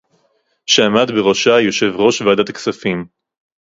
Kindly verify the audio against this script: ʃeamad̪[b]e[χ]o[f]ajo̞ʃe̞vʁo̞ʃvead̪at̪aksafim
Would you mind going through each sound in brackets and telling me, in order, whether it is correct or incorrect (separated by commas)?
correct, incorrect, incorrect